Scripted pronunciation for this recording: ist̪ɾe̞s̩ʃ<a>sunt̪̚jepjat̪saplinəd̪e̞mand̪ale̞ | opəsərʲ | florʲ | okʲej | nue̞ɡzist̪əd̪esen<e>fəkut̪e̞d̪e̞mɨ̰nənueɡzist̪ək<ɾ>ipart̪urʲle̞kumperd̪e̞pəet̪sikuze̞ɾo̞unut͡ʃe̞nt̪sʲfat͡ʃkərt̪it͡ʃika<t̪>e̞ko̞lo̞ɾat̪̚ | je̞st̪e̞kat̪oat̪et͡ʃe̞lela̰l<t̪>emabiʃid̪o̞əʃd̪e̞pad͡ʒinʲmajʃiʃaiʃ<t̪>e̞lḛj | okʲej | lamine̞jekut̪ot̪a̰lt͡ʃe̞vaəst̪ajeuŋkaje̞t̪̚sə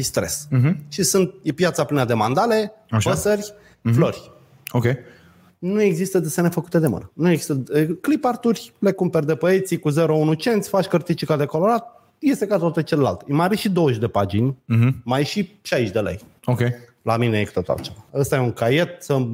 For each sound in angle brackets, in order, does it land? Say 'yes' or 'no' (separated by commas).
no, yes, no, no, yes, no